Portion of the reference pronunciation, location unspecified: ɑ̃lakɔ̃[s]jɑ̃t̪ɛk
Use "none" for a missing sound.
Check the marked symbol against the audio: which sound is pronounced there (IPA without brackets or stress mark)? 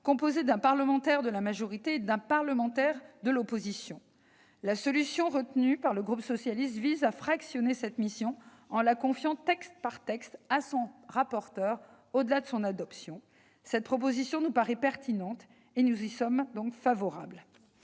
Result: f